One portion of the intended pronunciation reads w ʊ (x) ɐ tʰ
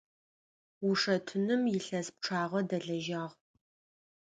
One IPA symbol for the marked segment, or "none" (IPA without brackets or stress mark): ʂ